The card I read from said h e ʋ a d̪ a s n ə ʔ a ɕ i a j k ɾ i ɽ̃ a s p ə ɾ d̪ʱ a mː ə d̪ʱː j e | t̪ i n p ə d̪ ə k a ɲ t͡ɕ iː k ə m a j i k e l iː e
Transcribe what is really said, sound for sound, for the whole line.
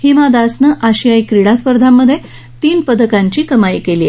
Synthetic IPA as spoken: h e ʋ a d̪ a s n ə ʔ a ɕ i a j k ɾ i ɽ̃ a s p ə ɾ d̪ʱ a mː ə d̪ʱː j e | t̪ iː n p ə d̪ ə k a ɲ t͡ɕ iː k ə m a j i k e l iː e